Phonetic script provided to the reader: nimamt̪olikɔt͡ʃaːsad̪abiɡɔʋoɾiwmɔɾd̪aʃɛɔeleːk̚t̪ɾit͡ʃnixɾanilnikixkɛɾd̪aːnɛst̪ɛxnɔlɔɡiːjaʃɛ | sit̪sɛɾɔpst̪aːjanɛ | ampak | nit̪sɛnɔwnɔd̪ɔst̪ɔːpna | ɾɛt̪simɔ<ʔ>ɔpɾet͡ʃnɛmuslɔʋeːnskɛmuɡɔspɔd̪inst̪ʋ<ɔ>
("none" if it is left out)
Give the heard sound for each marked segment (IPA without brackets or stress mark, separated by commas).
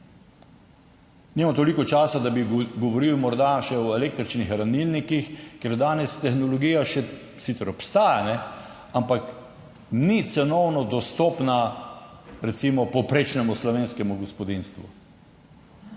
p, u